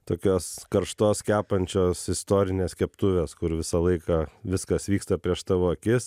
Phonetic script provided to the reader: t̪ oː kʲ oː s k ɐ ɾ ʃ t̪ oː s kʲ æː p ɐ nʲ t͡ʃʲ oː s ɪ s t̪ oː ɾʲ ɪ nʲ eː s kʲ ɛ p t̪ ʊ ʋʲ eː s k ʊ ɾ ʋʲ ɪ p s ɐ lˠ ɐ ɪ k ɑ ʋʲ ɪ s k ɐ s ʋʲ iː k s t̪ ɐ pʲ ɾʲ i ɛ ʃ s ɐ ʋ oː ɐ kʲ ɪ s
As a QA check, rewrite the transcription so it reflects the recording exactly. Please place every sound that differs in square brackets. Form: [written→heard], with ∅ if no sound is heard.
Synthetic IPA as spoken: t̪ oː kʲ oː s k ɐ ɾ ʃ t̪ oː s kʲ æː p ɐ nʲ t͡ʃʲ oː s ɪ s t̪ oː ɾʲ ɪ nʲ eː s kʲ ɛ p t̪ ʊ ʋʲ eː s k ʊ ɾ ʋʲ ɪ [p→∅] s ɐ lˠ ɐ ɪ k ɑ ʋʲ ɪ s k ɐ s ʋʲ iː k s t̪ ɐ pʲ ɾʲ i ɛ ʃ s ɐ ʋ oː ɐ kʲ ɪ s